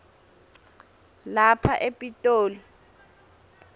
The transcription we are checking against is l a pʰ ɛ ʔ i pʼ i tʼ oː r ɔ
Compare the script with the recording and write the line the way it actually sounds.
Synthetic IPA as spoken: l a pʰ a ʔ e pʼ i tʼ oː l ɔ